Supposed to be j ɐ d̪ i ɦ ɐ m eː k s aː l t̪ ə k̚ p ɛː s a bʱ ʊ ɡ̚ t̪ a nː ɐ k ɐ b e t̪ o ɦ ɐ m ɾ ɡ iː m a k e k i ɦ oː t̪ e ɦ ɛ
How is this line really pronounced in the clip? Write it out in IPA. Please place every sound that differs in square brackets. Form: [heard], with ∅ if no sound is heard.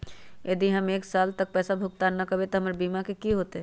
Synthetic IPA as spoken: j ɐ d̪ i ɦ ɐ m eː k s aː l t̪ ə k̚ p ɛː s a bʱ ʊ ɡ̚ t̪ a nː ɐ k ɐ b e t̪ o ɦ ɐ m ɾ [b] iː m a k e k i ɦ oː t̪ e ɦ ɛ